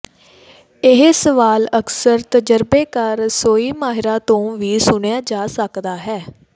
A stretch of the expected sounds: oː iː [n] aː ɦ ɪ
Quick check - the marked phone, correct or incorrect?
incorrect: m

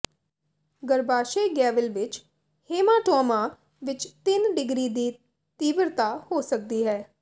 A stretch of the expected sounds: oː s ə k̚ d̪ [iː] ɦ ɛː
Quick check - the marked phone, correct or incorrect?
correct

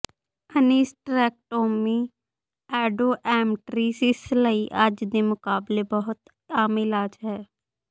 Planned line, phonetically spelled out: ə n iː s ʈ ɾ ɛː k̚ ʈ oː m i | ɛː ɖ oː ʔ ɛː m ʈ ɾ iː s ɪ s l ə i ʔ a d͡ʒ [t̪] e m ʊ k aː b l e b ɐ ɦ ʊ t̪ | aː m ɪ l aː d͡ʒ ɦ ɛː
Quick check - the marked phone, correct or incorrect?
incorrect: d̪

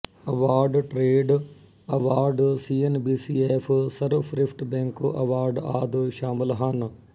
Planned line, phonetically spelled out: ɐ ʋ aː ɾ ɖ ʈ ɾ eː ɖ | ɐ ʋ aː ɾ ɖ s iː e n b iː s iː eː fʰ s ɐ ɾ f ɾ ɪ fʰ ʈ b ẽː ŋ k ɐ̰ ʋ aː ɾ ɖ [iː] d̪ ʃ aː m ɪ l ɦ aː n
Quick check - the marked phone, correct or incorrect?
incorrect: aː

